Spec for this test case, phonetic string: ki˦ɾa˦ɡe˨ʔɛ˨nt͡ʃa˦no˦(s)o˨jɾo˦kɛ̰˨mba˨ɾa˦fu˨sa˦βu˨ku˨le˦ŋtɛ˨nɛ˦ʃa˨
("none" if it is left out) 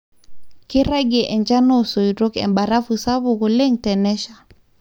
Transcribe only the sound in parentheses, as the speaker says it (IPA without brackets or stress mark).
s